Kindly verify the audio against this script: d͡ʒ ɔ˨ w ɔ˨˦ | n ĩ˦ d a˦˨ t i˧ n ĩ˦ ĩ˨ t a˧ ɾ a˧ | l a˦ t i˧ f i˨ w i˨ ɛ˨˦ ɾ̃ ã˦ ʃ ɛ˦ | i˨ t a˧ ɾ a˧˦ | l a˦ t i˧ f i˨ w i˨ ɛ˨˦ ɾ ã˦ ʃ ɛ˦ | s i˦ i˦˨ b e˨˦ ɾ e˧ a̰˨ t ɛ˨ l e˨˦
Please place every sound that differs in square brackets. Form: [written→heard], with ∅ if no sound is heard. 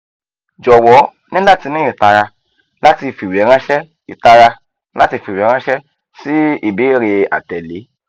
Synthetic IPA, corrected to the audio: d͡ʒ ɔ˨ w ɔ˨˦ | n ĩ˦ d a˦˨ t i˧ n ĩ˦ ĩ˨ t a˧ ɾ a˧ | l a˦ t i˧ f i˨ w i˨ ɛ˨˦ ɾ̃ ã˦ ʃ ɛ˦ | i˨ t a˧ ɾ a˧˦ | l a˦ t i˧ f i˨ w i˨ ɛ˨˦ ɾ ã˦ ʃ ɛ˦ | s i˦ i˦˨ b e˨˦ ɾ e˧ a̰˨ t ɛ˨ l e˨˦